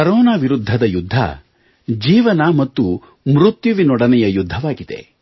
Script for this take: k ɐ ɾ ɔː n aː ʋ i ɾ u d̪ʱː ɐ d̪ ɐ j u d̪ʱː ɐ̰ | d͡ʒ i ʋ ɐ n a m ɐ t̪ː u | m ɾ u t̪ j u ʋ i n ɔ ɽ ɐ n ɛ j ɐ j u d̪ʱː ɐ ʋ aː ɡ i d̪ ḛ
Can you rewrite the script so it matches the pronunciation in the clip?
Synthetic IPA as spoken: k ɐ ɾ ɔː n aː ʋ i ɾ u d̪ʱː ɐ d̪ ɐ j u d̪ʱː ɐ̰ | d͡ʒ iː ʋ ɐ n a m ɐ t̪ː u | m ɾ u t̪ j u ʋ i n ɔ ɽ ɐ n ɛ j ɐ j u d̪ʱː ɐ ʋ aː ɡ i d̪ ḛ